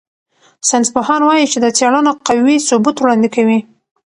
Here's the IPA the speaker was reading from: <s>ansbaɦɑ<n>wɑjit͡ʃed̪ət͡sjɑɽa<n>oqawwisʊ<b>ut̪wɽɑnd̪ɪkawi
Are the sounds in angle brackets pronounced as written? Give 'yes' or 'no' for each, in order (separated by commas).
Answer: yes, yes, yes, yes